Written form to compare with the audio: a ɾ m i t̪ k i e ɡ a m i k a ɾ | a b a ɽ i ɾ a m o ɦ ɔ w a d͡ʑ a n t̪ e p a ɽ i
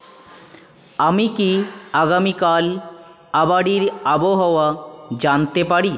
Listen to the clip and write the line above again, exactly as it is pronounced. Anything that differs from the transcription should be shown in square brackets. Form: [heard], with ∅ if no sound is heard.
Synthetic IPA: a [∅] m i [∅] k i [a] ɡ a m i k a [l] | a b a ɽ i ɾ a [b] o ɦ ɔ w a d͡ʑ a n t̪ e p a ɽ i